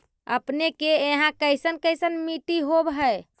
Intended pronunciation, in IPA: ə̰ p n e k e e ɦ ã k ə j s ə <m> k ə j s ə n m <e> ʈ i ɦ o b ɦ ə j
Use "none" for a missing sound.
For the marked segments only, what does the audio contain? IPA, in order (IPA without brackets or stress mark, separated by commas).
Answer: n, i